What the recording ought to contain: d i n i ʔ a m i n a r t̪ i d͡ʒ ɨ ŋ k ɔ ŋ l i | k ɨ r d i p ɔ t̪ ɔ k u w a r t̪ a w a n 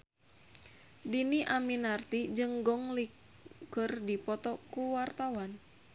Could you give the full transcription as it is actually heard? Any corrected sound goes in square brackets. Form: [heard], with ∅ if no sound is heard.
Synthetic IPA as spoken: d i n i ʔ a m i n a r t̪ i d͡ʒ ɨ ŋ [ɡ] ɔ ŋ l i | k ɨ r d i p ɔ t̪ ɔ k u w a r t̪ a w a n